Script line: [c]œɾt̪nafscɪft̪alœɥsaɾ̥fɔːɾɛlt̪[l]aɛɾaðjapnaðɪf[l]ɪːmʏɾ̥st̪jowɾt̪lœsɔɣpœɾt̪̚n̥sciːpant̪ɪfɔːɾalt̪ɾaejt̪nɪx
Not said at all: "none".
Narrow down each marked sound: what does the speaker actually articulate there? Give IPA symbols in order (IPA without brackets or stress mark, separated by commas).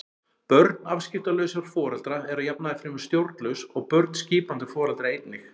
p, ɾ, ɾ